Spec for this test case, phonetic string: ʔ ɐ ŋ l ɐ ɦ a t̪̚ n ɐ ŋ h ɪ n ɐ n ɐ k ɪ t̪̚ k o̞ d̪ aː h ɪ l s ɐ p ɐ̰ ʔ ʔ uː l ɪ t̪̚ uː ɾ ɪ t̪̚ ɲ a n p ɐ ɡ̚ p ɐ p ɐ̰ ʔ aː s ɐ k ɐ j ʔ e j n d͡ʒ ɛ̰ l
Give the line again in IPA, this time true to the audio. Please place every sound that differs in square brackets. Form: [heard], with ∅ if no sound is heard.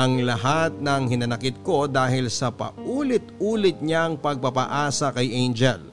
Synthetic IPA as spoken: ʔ ɐ ŋ l ɐ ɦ a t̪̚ n ɐ ŋ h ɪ n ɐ n ɐ k ɪ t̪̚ k o̞ d̪ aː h ɪ l s ɐ p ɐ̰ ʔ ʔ uː l ɪ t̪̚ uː [l] ɪ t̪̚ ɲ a [ŋ] p ɐ ɡ̚ p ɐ p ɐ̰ ʔ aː s ɐ k ɐ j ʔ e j n d͡ʒ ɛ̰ l